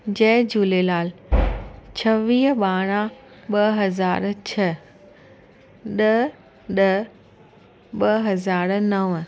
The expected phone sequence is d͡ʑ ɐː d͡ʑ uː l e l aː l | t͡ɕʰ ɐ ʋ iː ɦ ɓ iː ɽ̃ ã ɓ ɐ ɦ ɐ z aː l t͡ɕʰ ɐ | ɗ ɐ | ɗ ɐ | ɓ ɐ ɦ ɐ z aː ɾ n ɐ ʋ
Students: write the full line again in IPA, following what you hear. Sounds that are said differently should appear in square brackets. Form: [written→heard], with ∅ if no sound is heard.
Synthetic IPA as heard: d͡ʑ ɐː d͡ʑ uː l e l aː l | t͡ɕʰ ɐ ʋ iː ɦ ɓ [iː→aː] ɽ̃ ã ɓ ɐ ɦ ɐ z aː [l→ɾ] t͡ɕʰ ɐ | ɗ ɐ | ɗ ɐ | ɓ ɐ ɦ ɐ z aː ɾ n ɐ ʋ